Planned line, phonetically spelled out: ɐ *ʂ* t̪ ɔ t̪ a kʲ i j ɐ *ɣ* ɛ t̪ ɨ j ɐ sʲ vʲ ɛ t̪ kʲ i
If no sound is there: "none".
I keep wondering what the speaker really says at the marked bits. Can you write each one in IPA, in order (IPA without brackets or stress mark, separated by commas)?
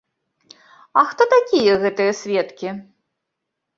x, ɣ